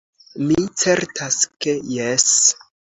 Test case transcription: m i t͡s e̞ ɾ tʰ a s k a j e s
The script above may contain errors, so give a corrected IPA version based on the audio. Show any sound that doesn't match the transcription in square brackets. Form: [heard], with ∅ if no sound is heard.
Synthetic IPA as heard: m i t͡s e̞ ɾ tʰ a s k [e] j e s

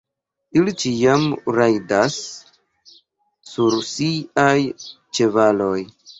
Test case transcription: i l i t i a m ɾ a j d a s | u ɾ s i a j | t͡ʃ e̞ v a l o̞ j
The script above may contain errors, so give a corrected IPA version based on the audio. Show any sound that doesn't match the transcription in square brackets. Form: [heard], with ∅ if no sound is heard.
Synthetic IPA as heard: i l i [t͡ʃ] i a m ɾ a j d a s | u ɾ s i a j | t͡ʃ e̞ v a l o̞ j

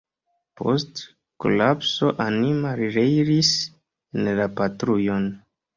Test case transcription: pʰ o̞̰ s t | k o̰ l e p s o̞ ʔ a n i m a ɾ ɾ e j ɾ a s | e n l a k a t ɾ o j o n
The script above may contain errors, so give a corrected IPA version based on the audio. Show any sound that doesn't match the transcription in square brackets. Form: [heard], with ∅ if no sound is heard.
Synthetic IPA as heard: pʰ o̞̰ s t | k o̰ l [a] p s o̞ ʔ a n i m a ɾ ɾ e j ɾ [i] s | e n l a [p] a t ɾ [u] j o n

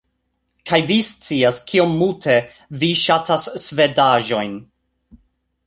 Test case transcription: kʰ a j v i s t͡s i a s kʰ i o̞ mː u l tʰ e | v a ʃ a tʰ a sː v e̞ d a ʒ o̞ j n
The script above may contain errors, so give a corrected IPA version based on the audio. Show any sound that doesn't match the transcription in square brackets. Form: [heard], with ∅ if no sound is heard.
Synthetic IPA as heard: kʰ a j v i s t͡s i a s kʰ i o̞ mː u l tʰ e | v [i] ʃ a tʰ a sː v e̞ d a ʒ o̞ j n

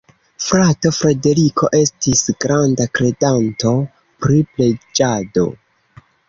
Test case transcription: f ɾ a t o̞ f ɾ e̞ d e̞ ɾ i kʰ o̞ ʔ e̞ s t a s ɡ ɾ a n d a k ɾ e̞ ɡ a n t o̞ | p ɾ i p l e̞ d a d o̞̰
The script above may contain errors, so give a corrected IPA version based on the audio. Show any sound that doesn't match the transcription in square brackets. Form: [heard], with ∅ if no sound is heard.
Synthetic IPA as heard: f ɾ a t o̞ f ɾ e̞ d e̞ ɾ i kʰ o̞ ʔ e̞ s t [i] s ɡ ɾ a n d a k ɾ e̞ [d] a n t o̞ | p ɾ i p l e̞ [d͡ʒ] a d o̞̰

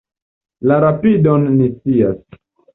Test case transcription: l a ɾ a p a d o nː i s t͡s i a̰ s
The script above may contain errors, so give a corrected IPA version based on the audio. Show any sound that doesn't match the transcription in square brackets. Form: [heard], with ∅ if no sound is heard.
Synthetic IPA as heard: l a ɾ a p [i] d o nː i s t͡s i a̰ s

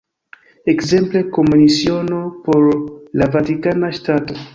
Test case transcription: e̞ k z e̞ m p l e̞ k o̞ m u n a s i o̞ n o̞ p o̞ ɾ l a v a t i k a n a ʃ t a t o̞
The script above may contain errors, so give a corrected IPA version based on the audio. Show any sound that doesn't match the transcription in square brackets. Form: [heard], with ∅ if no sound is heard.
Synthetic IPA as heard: e̞ k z e̞ m p l e̞ k o̞ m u n [i] s i o̞ n o̞ p o̞ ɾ l a v a t i k a n a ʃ t a t o̞

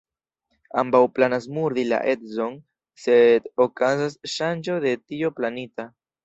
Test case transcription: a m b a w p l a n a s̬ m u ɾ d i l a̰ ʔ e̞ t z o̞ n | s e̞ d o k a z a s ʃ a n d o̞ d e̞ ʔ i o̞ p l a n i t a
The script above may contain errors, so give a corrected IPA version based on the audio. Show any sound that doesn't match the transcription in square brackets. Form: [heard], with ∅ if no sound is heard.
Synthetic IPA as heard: a m b a w p l a n a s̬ m u ɾ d i l a̰ ʔ e̞ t z o̞ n | s e̞ d o k a z a s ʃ a n [d͡ʒ] o̞ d e̞ [t] i o̞ p l a n i t a

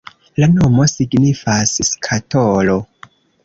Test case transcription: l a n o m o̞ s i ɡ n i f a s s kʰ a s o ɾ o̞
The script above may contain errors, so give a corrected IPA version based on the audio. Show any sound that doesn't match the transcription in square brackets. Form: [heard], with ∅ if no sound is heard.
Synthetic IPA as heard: l a n o m o̞ s i ɡ n i f a s s kʰ a [t] o [l] o̞

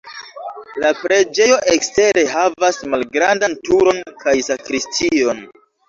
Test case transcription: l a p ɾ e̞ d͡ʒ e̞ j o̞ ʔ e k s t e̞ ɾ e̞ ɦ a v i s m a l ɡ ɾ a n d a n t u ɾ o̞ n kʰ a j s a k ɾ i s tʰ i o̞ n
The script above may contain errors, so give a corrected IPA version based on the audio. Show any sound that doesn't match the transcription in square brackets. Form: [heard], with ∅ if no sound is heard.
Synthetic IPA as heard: l a p ɾ e̞ d͡ʒ e̞ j o̞ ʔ e k s t e̞ ɾ e̞ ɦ a v [a] s m a l ɡ ɾ a n d a n t u ɾ o̞ n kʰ a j s a k ɾ i s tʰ i o̞ n

